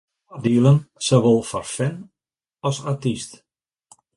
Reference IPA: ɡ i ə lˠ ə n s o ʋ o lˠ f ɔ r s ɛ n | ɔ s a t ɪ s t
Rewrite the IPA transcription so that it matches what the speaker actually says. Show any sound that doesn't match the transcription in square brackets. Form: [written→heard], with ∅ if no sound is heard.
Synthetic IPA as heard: [ɡ→d] i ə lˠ ə n s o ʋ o lˠ f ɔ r [s→f] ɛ n | ɔ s a t [ɪ→i] s t